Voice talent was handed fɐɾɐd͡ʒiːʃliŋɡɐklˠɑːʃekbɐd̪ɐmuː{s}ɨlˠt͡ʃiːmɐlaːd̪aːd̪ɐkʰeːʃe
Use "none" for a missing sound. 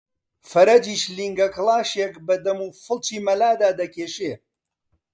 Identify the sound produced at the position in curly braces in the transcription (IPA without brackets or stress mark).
f